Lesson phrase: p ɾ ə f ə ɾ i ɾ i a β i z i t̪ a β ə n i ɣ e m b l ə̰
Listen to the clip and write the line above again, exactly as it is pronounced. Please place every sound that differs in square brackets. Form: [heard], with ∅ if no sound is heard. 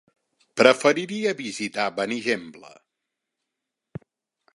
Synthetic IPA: p ɾ ə f ə ɾ i ɾ i [ə] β i z i t̪ a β ə n i [ʒ] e m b l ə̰